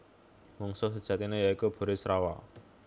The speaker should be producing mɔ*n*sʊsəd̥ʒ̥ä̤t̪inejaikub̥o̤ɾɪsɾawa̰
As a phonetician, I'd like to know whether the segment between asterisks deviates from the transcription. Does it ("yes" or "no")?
yes